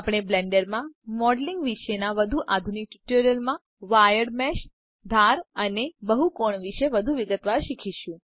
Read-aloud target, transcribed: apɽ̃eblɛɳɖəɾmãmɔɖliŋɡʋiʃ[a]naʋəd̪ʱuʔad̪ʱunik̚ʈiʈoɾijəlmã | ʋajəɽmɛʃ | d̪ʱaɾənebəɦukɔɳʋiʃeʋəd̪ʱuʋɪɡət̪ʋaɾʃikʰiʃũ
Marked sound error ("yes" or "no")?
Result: yes